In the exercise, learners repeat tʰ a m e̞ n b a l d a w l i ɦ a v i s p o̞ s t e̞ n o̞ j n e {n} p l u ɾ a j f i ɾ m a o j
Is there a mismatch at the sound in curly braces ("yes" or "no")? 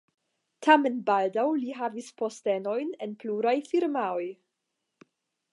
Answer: no